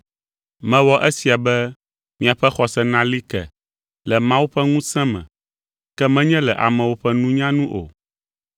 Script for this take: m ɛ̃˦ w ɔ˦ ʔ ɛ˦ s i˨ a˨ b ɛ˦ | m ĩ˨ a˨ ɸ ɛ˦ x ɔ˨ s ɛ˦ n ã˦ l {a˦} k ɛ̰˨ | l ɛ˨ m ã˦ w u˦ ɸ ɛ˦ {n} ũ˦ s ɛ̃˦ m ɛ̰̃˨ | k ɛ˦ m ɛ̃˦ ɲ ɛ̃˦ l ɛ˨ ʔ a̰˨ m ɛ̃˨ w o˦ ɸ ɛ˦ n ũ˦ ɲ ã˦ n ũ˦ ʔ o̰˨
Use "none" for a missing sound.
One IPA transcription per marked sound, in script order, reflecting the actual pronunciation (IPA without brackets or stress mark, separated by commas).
i˦, ŋ